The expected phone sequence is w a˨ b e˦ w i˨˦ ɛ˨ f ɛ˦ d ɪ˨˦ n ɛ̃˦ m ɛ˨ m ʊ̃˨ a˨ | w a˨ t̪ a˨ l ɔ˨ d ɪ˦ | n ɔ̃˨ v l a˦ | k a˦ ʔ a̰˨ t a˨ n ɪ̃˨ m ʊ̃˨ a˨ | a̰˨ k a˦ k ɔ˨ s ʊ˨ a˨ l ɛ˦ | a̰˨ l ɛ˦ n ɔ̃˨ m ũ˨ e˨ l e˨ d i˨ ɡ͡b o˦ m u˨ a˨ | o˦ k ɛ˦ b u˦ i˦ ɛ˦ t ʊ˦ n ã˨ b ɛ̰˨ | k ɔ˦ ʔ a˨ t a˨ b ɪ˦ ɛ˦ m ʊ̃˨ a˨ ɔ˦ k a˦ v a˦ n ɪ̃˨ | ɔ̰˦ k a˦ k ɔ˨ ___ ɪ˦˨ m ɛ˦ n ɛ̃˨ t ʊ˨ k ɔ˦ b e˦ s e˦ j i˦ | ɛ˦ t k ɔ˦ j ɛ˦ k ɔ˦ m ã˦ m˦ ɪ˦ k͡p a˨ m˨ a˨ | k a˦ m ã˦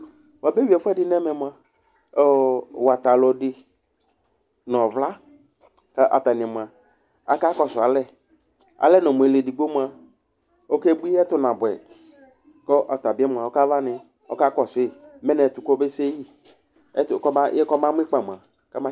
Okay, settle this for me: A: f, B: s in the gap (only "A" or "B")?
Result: B